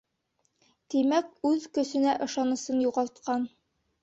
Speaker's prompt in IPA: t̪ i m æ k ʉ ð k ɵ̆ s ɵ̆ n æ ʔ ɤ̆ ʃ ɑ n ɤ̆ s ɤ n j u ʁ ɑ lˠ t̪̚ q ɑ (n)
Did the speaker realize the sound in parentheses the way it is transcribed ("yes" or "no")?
yes